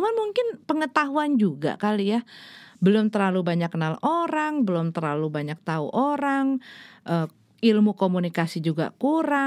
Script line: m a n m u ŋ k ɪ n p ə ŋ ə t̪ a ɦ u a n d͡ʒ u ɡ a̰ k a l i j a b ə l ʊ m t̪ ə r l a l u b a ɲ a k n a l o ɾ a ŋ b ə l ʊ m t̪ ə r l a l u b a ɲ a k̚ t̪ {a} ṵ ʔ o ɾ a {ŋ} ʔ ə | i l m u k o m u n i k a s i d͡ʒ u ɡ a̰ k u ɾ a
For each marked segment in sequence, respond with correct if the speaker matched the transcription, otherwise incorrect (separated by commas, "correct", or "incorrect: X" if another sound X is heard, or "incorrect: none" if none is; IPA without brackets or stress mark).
correct, correct